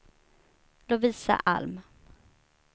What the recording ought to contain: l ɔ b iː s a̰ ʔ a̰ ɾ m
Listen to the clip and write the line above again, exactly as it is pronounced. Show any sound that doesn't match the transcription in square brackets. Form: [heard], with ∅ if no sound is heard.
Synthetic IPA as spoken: l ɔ [v] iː s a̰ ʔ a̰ [l] m